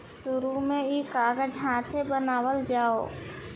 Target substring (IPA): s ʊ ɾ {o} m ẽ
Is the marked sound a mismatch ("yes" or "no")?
yes